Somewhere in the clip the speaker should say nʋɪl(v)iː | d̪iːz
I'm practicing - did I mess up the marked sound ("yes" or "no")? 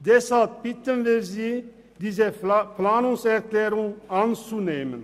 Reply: yes